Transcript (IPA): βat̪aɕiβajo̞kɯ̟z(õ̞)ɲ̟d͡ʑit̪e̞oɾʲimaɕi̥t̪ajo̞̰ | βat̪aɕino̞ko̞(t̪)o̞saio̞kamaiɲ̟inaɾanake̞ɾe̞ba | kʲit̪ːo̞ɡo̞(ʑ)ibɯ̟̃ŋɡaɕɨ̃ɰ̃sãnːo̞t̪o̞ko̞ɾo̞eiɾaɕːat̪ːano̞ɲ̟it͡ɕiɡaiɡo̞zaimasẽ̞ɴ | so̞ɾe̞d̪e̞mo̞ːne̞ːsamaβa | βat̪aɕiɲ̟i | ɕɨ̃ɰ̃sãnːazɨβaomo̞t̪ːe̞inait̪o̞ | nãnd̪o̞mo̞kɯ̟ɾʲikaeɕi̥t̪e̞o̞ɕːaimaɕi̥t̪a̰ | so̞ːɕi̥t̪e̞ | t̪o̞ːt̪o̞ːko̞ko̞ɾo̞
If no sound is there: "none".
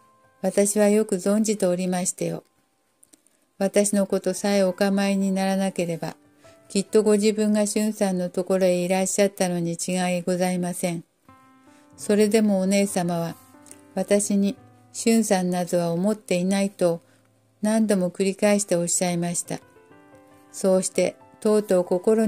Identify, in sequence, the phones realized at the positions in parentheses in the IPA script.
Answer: õ̞, t̪, ʑ

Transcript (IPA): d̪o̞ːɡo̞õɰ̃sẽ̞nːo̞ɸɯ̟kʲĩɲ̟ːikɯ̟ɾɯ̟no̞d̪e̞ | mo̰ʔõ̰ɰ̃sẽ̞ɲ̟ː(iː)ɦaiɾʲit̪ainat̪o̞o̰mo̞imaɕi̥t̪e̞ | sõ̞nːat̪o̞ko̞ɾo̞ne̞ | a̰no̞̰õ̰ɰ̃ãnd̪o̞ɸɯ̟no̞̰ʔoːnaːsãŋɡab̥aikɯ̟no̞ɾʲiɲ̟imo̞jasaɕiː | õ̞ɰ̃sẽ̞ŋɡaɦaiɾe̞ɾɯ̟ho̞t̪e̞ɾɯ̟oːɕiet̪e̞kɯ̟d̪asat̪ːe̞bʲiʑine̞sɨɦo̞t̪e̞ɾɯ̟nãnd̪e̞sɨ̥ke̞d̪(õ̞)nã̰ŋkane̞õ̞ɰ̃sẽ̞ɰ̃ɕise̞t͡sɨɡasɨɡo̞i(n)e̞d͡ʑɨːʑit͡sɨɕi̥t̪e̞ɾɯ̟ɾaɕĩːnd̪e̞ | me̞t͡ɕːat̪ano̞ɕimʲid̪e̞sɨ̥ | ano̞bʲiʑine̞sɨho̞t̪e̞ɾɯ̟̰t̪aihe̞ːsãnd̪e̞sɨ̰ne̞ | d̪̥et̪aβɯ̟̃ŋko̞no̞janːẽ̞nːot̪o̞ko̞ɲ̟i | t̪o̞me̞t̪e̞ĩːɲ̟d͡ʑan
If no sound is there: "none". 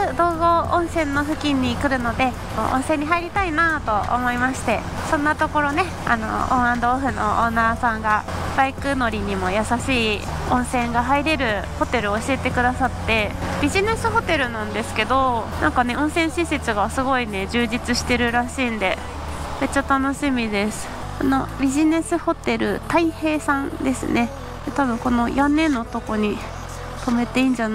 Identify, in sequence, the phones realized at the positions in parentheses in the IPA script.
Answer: i, o̞, n

